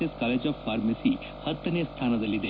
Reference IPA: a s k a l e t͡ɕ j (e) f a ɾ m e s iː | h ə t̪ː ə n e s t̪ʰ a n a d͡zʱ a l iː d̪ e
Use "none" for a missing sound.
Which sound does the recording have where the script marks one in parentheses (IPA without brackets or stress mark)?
a